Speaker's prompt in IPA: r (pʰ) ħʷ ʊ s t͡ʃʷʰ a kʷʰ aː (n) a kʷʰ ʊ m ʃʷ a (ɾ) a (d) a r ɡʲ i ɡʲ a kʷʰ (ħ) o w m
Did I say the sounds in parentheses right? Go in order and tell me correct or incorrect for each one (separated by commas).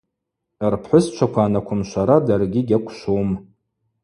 correct, correct, correct, correct, incorrect